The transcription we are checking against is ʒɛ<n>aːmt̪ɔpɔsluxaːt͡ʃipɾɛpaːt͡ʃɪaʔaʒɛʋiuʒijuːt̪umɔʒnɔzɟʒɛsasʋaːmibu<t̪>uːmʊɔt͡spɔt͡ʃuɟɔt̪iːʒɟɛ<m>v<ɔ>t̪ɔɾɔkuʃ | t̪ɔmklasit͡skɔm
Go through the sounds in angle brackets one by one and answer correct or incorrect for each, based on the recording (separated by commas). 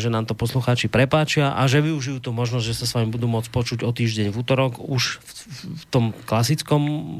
correct, incorrect, incorrect, incorrect